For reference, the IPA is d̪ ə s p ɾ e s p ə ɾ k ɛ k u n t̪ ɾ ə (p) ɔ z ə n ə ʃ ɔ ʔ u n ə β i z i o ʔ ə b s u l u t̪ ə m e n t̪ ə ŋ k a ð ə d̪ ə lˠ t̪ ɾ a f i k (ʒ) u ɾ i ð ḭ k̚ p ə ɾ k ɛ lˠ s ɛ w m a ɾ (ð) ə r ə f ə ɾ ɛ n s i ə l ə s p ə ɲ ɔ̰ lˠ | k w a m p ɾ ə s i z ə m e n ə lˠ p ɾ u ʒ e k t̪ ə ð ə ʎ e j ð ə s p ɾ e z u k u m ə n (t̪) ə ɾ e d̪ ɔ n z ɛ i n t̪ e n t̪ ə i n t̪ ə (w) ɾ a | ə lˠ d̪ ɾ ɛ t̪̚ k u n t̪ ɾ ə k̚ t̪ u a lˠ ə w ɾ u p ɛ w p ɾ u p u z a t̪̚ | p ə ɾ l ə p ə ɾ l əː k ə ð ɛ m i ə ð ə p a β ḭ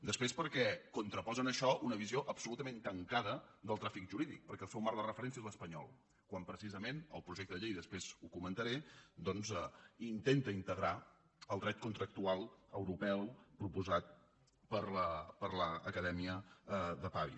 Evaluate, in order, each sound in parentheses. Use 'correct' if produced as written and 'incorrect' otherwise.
correct, correct, correct, correct, incorrect

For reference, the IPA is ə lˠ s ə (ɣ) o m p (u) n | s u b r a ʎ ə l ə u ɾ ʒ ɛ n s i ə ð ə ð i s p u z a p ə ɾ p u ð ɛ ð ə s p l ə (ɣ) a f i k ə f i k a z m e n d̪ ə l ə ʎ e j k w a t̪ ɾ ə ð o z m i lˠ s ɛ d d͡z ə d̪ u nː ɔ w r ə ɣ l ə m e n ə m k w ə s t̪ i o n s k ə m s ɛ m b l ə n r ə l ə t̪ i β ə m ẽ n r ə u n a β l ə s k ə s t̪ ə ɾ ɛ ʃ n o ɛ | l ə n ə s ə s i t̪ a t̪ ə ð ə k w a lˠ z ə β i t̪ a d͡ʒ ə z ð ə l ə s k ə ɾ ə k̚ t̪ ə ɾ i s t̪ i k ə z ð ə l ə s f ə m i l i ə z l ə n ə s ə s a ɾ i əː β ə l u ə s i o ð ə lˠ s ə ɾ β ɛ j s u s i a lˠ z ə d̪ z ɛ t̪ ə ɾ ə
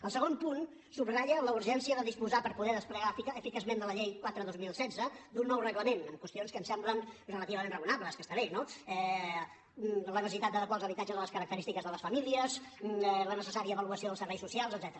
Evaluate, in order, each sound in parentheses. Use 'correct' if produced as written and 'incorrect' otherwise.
correct, correct, correct

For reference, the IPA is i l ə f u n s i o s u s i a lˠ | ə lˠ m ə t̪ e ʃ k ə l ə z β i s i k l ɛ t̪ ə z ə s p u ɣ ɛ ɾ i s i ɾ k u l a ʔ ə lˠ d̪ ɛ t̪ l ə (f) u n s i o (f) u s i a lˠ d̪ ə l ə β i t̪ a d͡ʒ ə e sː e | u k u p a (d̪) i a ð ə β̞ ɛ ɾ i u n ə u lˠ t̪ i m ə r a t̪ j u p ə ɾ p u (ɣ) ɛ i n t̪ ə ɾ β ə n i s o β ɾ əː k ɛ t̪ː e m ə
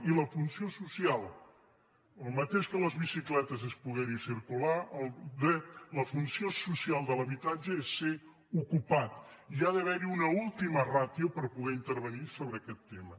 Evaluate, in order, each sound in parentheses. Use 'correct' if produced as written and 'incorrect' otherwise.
correct, incorrect, incorrect, correct

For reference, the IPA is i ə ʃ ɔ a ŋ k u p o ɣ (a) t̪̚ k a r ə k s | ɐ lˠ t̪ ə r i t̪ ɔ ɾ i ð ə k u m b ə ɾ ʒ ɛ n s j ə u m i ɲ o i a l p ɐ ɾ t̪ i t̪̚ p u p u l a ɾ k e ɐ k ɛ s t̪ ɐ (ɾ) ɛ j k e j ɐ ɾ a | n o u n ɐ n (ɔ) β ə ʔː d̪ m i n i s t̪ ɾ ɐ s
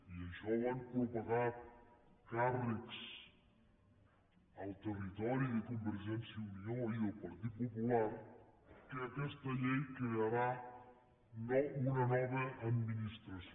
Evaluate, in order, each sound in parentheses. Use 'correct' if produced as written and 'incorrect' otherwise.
correct, incorrect, correct

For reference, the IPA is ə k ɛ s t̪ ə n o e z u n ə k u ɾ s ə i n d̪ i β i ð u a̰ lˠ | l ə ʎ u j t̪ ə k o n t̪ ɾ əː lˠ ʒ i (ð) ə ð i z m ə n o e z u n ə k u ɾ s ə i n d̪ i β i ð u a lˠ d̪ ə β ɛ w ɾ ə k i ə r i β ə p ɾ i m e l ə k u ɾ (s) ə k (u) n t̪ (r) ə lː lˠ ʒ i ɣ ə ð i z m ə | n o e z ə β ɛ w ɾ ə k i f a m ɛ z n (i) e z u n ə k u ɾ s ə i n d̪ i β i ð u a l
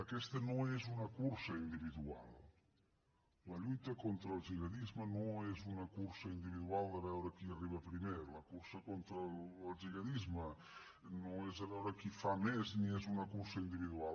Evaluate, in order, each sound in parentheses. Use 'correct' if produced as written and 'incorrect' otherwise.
incorrect, correct, incorrect, incorrect, correct

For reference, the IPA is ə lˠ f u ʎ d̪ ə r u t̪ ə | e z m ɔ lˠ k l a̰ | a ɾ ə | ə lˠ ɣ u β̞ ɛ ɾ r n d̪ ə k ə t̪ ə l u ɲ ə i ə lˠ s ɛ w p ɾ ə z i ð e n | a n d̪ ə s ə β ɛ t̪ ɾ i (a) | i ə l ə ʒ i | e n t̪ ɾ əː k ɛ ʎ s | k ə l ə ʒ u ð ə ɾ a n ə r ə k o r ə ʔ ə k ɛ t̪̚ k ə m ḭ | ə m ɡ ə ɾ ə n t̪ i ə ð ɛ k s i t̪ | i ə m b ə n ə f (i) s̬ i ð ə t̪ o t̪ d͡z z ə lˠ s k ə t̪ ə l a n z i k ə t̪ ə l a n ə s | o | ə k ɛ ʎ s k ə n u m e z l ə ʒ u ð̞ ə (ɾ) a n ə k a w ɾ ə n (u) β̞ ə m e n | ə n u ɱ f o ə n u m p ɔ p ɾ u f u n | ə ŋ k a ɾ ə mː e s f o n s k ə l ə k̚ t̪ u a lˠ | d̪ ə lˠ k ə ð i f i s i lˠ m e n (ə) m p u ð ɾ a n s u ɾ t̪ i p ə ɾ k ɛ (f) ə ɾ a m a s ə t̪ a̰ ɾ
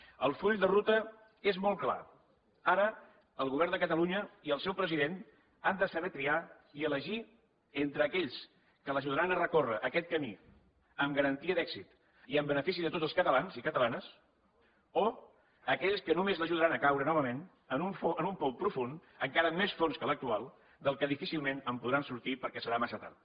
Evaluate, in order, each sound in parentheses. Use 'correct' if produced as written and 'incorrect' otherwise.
correct, correct, correct, incorrect, correct, incorrect

